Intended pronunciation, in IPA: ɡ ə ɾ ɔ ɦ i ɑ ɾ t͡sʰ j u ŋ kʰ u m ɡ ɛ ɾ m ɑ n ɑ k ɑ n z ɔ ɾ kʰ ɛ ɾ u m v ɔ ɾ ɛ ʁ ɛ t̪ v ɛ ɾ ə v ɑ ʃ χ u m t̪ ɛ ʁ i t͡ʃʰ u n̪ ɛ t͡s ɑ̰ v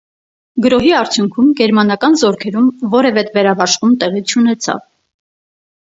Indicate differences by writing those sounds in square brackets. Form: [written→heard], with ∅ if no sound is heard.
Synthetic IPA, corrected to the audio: ɡ ə ɾ ɔ ɦ i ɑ ɾ t͡sʰ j u ŋ kʰ u m ɡ ɛ ɾ m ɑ n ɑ k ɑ n z ɔ ɾ kʰ ɛ ɾ u m v ɔ ɾ ɛ [ʁ→v] ɛ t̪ v ɛ ɾ [ə→ɑ] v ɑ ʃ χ u m t̪ ɛ ʁ i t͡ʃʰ u n̪ ɛ [t͡s→t͡sʰ] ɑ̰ v

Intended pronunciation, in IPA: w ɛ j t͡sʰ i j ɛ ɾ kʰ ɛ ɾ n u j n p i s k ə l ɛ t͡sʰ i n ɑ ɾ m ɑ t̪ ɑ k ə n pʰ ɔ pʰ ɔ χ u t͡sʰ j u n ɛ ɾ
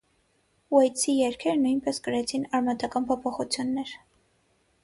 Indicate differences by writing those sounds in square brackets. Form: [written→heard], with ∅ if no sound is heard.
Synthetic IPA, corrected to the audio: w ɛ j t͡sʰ i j ɛ ɾ kʰ ɛ ɾ n u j n p [i→ɛ] s k ə [l→ɾ] ɛ t͡sʰ i n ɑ ɾ m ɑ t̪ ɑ k [ə→ɑ] n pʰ ɔ pʰ ɔ χ u t͡sʰ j u [n→nː] ɛ ɾ

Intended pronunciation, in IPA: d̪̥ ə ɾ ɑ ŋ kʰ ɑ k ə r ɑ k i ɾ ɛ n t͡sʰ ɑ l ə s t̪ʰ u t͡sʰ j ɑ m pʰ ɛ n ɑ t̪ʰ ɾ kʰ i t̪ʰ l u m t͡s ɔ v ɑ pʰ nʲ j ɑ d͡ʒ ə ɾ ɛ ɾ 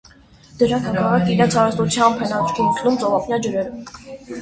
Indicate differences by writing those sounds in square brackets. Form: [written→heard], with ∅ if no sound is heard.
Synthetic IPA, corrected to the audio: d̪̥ ə ɾ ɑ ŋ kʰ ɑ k [ə→ɑ] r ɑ k i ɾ ɛ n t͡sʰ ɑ [l→ɾ] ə s [t̪ʰ→t̪] u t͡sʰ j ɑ m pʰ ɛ n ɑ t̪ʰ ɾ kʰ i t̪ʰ l u m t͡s ɔ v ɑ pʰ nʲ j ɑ d͡ʒ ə ɾ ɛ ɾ

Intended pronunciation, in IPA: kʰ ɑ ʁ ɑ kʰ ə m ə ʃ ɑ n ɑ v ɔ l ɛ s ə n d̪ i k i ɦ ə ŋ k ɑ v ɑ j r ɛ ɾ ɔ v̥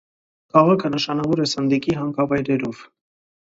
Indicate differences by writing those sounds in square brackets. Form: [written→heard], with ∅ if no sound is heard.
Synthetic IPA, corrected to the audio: kʰ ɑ ʁ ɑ kʰ ə [m→n] ə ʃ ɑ n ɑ v ɔ [l→ɾ] ɛ s ə n d̪ i k i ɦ [ə→ɑ] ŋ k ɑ v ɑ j [r→ɾ] ɛ ɾ ɔ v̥

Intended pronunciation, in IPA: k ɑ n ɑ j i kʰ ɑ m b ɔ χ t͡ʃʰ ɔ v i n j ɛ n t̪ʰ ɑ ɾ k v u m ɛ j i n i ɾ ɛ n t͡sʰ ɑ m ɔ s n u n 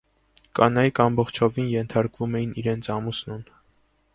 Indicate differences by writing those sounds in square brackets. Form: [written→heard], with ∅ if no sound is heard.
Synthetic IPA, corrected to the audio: k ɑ n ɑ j i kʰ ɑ m b ɔ χ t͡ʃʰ ɔ v i n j ɛ n t̪ʰ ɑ ɾ k v u m ɛ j i n i ɾ ɛ n t͡sʰ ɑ m [ɔ→u] s n u n

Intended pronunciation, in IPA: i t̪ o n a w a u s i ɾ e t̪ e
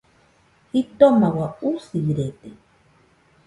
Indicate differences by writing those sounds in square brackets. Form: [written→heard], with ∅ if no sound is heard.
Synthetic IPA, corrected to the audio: i t̪ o [n→m] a w a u s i ɾ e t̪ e

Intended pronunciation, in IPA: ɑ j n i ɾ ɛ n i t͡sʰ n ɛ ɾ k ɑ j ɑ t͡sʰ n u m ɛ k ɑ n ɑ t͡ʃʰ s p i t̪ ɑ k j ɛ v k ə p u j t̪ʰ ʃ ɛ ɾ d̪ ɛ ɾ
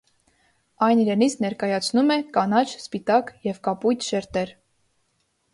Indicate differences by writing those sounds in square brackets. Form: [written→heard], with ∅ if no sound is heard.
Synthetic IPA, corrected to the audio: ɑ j n i ɾ ɛ n i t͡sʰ n ɛ ɾ k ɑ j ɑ t͡sʰ n u m ɛ k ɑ n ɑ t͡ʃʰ s p i t̪ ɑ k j ɛ v k [ə→ɑ] p u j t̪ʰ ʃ ɛ ɾ [d̪→t̪] ɛ ɾ

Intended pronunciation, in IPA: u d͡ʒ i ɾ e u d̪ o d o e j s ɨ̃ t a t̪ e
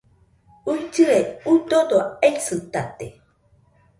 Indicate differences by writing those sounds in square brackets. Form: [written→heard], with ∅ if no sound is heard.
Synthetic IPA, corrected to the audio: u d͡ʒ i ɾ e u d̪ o d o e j s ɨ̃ t a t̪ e

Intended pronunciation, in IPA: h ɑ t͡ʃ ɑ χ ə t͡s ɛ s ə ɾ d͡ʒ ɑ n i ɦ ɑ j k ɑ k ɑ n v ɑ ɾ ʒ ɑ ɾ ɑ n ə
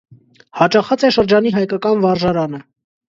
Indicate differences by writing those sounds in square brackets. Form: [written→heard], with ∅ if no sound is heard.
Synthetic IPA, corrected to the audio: h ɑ t͡ʃ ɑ χ [ə→ɑ] t͡s ɛ [s→ʃ] ə ɾ d͡ʒ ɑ n i ɦ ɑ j k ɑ k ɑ n v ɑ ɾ ʒ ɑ ɾ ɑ n ə

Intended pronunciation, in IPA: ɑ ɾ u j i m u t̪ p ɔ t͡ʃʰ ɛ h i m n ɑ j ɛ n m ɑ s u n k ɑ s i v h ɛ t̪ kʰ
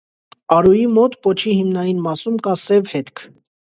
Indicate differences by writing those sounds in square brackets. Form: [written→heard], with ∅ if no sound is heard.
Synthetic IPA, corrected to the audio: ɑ ɾ u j i m [u→ɔ] t̪ p ɔ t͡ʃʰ [ɛ→i] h i m n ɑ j [ɛ→i] n m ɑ s u [n→m] k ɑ s [i→ɛ] v h ɛ t̪ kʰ

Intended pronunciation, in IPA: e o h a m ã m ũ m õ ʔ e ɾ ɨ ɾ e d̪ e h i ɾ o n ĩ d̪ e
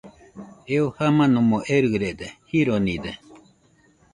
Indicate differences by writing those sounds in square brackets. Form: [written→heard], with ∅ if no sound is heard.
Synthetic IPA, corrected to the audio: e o h a m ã [m→n] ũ m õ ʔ e ɾ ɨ ɾ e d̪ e h i ɾ o n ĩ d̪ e

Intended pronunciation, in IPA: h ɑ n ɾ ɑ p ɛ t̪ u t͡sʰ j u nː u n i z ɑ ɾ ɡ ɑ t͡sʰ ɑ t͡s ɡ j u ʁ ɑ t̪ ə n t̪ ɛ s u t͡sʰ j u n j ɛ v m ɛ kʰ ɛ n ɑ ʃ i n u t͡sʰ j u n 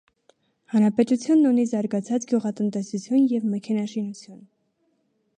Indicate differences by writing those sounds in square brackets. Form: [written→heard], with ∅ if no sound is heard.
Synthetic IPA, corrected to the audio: h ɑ n ɾ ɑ p ɛ t̪ u t͡sʰ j u nː u n i z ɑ ɾ ɡ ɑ t͡sʰ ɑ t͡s ɡ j u ʁ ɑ t̪ ə n t̪ ɛ s u t͡sʰ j u n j ɛ v m ɛ kʰ ɛ n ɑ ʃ i n u t͡sʰ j u n

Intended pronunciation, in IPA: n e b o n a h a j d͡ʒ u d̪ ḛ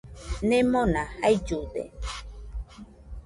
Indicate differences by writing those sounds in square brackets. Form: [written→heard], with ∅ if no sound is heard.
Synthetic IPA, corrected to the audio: n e [b→m] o n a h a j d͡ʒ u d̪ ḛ

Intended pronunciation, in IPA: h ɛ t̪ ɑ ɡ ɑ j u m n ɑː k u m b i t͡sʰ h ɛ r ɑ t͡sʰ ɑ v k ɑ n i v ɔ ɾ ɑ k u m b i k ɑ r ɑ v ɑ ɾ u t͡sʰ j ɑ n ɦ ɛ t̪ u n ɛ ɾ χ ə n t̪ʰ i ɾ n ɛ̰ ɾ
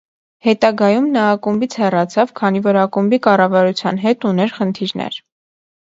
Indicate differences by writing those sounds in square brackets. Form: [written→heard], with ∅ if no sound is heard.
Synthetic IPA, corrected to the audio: h ɛ t̪ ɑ ɡ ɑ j u m n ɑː k u m b i t͡sʰ h ɛ r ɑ t͡sʰ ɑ v [k→kʰ] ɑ n i v ɔ ɾ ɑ k u m b i k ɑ r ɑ v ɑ ɾ u t͡sʰ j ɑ n ɦ ɛ t̪ u n ɛ ɾ χ ə n t̪ʰ i ɾ n ɛ̰ ɾ

